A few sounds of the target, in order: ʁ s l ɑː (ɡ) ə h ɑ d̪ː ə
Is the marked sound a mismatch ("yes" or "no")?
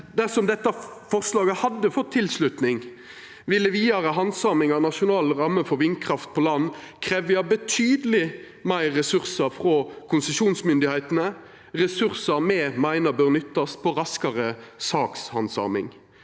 no